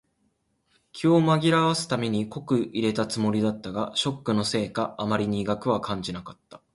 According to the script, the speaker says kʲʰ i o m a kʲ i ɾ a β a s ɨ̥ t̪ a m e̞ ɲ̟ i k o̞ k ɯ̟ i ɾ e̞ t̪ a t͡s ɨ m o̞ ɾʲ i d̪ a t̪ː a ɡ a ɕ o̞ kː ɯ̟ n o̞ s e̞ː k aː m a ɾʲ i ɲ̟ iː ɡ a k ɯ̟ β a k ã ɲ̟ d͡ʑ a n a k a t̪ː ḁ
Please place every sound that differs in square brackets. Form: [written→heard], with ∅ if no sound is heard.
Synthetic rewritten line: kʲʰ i o m a [kʲ→ɡʲ] i ɾ a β a s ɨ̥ t̪ a m e̞ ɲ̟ i k o̞ k ɯ̟ i ɾ e̞ t̪ a t͡s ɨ m o̞ ɾʲ i d̪ a t̪ː a ɡ a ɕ o̞ kː ɯ̟ n o̞ s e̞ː k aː m a ɾʲ i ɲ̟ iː ɡ a k ɯ̟ β a k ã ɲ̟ d͡ʑ [a→i] n a k a t̪ː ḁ